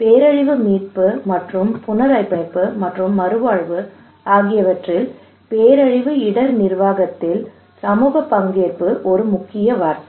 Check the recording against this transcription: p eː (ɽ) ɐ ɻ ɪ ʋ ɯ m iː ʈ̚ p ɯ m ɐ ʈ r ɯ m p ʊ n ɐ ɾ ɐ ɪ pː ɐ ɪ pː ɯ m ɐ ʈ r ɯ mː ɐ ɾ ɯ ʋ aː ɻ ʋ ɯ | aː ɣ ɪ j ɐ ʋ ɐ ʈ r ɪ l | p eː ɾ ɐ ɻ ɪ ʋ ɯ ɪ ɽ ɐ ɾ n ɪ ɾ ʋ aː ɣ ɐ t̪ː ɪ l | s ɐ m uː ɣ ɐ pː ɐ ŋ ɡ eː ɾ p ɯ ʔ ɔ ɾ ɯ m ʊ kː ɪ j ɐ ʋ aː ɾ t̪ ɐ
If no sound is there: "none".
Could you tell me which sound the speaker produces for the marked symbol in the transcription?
ɾ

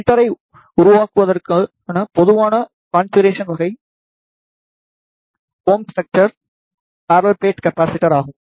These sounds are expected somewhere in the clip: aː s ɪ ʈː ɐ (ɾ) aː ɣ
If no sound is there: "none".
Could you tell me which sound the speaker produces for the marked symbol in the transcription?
ɾ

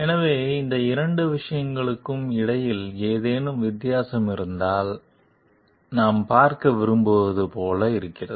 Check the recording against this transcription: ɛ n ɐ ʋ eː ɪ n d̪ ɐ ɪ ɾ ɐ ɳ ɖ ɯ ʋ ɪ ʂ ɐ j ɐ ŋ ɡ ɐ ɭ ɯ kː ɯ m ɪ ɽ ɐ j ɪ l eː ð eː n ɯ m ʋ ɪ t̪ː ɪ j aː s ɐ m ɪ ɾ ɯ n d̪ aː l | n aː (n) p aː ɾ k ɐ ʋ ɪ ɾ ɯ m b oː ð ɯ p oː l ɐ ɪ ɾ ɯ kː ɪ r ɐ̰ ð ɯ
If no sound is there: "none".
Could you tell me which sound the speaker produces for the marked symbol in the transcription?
m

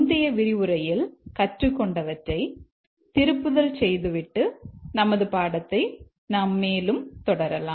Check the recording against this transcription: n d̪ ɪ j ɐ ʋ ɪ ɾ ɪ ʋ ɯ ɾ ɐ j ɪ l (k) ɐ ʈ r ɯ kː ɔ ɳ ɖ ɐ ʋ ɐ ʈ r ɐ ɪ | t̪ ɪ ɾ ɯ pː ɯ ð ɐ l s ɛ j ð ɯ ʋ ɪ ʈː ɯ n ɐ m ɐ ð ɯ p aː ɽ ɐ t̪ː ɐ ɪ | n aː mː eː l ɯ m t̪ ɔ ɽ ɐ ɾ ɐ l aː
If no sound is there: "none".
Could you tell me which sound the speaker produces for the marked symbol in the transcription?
k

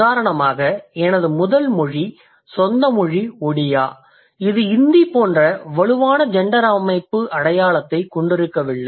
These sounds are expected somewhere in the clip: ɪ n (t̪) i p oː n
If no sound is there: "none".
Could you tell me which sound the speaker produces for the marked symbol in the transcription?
d̪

